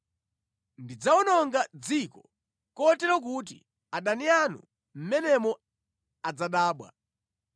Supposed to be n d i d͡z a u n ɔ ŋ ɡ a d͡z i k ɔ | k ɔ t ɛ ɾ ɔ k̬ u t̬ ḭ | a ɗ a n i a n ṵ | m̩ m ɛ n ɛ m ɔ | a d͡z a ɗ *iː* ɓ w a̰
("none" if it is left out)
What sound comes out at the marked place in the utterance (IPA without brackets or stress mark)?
aː